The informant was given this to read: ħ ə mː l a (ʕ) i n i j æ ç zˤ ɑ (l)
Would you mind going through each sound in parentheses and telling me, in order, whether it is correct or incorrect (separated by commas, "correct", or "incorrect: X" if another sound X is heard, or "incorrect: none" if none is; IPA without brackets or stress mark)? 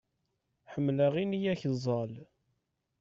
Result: incorrect: ʁ, correct